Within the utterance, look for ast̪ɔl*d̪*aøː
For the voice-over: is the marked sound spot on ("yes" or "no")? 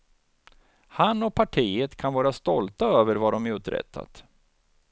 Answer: no